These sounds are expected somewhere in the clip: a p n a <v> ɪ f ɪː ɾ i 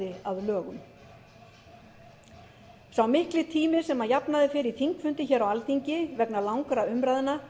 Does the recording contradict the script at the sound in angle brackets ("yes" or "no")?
yes